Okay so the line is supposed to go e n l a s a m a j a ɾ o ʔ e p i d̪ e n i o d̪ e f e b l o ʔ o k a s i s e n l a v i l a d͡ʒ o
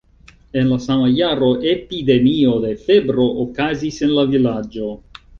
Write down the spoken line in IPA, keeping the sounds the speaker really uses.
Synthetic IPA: e n l a s a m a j a ɾ o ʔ e p i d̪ e m i o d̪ e f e b ɾ o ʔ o k a z i s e n l a v i l a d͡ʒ o